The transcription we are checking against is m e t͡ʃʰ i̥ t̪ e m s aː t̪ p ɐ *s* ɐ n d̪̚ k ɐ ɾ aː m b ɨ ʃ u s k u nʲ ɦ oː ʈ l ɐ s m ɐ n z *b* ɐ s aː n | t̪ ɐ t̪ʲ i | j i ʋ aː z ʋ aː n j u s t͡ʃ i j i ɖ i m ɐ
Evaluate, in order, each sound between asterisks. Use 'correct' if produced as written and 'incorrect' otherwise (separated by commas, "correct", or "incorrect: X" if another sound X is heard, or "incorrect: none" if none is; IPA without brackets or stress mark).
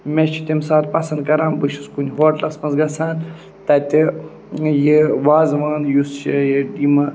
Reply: correct, incorrect: ɡ